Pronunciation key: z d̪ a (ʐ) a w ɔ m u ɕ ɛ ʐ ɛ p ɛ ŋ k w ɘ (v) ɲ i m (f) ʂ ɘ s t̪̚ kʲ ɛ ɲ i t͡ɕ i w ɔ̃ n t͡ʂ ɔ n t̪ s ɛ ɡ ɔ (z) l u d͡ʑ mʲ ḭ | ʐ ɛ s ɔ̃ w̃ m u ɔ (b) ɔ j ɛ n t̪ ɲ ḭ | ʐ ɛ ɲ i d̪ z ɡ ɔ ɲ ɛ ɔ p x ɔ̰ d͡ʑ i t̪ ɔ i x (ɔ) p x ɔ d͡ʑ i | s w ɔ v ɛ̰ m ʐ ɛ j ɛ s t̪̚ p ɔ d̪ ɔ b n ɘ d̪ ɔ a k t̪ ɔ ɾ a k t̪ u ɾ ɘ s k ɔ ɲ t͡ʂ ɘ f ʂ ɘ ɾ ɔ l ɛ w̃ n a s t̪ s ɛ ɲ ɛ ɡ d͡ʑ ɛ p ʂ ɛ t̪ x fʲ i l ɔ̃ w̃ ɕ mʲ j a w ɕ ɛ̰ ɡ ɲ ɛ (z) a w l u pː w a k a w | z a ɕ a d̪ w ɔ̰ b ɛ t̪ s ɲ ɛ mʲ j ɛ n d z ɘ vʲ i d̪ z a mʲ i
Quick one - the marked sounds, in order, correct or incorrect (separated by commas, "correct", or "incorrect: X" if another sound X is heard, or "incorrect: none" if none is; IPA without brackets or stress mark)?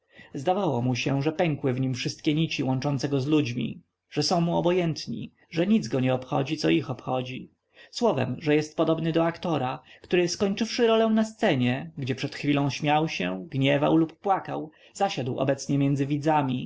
incorrect: v, correct, correct, correct, correct, correct, incorrect: v